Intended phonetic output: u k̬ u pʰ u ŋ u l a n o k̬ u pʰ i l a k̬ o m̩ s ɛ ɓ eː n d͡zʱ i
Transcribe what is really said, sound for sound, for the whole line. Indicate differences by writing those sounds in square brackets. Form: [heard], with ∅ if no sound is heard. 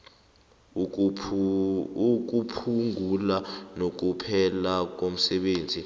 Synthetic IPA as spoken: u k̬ u pʰ u ŋ u l a n o k̬ u pʰ [ɛ] l a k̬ o m̩ s ɛ ɓ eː n d͡zʱ i